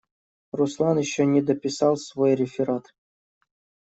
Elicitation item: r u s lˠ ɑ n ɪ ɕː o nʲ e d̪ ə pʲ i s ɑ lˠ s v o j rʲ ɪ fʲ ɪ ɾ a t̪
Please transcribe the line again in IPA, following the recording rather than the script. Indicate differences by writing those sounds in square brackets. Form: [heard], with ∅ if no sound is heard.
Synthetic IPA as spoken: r u s lˠ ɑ n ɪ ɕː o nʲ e d̪ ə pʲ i s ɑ lˠ s v o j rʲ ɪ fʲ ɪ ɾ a t̪